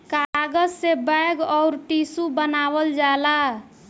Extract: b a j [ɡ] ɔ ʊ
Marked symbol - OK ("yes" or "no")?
yes